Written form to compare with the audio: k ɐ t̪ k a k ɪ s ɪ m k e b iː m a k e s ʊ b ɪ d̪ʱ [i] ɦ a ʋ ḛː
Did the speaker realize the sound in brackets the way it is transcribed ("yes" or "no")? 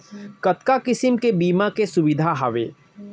no